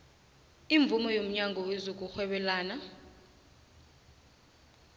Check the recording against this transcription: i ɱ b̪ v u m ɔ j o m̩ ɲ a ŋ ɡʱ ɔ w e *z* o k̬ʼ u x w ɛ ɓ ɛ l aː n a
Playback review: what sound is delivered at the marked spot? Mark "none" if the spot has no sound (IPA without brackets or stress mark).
z